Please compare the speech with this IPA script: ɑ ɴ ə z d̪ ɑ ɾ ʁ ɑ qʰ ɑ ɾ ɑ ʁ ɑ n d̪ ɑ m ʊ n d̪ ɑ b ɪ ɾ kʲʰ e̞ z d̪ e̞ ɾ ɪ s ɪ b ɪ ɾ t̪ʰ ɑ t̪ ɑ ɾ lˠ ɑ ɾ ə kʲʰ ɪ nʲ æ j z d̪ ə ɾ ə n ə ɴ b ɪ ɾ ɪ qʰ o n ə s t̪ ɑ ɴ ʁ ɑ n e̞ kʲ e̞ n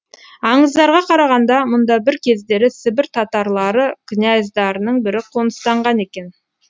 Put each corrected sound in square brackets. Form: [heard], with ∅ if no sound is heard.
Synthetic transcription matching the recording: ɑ ɴ ə z d̪ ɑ ɾ ʁ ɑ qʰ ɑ ɾ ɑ ʁ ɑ n d̪ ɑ m ʊ n d̪ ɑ b ɪ ɾ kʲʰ e̞ z d̪ e̞ ɾ ɪ s ɪ b ɪ ɾ t̪ʰ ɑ t̪ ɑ ɾ lˠ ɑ ɾ ə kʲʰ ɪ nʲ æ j z d̪ [ɑ] ɾ ə n ə ɴ b ɪ ɾ ɪ qʰ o n ə s t̪ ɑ ɴ ʁ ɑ n e̞ kʲ e̞ n